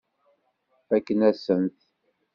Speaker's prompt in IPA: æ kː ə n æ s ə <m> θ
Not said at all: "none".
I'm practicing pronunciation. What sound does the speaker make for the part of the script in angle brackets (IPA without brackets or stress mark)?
n